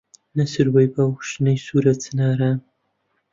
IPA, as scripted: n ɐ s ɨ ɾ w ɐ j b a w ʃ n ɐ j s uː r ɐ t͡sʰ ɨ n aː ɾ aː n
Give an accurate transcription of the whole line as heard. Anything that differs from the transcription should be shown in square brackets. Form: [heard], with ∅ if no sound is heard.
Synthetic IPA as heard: n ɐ s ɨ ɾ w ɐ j b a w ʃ n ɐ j s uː [ɾ] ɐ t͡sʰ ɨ n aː ɾ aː n